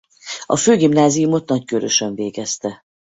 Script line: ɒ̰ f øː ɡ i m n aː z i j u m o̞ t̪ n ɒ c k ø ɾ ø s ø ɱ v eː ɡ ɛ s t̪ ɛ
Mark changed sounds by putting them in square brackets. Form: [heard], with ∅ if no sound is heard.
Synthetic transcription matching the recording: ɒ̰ f øː ɡ i m n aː z i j u m o̞ t̪ n ɒ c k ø ɾ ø [ʃ] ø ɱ v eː ɡ ɛ s t̪ ɛ